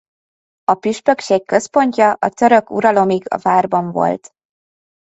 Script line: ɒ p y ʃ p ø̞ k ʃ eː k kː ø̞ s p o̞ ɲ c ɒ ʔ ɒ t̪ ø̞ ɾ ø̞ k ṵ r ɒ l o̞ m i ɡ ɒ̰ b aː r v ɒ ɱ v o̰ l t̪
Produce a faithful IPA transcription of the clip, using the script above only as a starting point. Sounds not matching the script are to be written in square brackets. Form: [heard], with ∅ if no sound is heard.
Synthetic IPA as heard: ɒ p y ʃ p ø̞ k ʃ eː k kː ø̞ s p o̞ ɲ c ɒ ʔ ɒ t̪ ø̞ ɾ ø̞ k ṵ [ɾ] ɒ l o̞ m i ɡ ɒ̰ [v] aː r [b] ɒ ɱ v o̰ l t̪